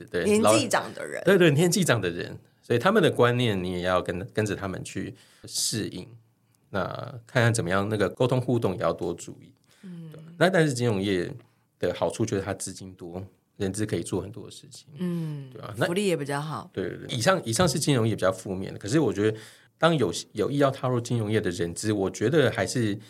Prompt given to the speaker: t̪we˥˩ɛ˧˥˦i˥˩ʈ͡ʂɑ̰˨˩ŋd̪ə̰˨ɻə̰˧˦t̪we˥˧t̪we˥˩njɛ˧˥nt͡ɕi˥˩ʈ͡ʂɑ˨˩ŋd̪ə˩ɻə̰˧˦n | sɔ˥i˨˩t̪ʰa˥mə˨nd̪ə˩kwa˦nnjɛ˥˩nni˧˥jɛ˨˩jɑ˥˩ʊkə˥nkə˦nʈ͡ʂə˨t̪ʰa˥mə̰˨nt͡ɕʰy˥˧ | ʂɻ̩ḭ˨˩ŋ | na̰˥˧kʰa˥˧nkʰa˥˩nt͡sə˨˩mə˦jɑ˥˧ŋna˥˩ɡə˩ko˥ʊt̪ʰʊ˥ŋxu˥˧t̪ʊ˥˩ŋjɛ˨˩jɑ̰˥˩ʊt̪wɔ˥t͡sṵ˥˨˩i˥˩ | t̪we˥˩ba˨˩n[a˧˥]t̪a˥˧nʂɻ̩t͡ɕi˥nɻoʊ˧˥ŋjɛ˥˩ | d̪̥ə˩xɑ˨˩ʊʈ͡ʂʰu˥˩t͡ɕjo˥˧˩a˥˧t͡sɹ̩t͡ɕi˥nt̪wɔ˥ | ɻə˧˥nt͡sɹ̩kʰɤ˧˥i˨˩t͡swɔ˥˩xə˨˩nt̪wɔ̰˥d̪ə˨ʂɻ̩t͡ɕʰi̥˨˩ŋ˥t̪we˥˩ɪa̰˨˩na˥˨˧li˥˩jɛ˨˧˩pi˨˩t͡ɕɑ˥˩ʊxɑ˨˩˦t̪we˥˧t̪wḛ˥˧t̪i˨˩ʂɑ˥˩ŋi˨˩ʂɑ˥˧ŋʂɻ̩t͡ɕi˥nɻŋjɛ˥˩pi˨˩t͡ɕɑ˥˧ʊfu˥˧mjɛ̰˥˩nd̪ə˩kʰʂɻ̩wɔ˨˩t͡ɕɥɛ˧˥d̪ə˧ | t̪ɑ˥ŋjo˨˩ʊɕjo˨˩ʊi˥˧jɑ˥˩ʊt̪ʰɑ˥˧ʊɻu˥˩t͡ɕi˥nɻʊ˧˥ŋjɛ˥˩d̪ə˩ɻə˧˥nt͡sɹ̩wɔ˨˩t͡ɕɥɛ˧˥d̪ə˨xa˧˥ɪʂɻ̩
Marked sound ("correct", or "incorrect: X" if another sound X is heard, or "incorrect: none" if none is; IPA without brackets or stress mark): incorrect: a˥˧